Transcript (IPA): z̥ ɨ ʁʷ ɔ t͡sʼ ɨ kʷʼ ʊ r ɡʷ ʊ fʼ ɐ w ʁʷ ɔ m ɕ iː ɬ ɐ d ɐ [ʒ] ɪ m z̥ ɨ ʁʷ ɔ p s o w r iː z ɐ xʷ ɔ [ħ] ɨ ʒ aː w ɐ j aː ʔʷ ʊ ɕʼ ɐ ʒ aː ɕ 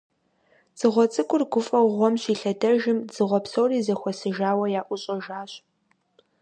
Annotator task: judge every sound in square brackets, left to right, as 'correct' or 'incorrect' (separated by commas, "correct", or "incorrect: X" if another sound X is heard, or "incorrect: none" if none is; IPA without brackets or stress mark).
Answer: correct, incorrect: s